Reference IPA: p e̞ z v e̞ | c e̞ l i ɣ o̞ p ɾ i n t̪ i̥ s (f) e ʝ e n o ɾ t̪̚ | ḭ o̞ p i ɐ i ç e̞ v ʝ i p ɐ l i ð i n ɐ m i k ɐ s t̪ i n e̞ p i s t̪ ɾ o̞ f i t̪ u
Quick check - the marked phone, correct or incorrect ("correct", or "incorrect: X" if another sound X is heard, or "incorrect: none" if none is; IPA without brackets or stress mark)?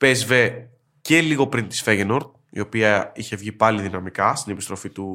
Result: correct